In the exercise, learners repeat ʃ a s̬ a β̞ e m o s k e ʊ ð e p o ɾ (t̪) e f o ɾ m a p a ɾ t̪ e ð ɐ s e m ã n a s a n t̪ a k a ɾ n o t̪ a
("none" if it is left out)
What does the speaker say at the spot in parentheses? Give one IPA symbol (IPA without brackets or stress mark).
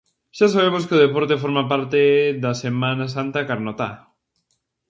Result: t̪